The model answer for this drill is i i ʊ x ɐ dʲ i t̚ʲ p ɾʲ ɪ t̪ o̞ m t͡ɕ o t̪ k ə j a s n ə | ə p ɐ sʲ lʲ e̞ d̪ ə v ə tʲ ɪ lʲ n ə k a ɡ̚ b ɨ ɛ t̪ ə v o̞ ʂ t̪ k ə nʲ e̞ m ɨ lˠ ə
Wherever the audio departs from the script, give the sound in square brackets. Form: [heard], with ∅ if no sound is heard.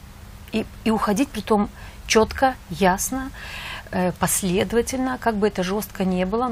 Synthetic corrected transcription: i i ʊ x ɐ dʲ i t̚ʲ p ɾʲ ɪ t̪ o̞ m t͡ɕ o t̪ k ə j a s n ə | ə p ɐ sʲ lʲ e̞ d̪ ə v ə tʲ ɪ lʲ n ə k a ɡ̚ b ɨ ɛ t̪ ə [ʐ] o̞ [s] t̪ k ə nʲ e̞ [b] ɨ lˠ ə